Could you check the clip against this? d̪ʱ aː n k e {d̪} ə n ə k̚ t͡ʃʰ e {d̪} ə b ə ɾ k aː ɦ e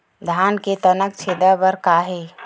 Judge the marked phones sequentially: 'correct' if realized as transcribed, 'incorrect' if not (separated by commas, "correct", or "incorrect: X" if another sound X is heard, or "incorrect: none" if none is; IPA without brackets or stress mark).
incorrect: t̪, correct